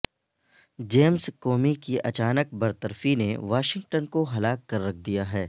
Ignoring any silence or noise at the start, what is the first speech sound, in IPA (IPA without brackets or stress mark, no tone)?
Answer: d͡ʒ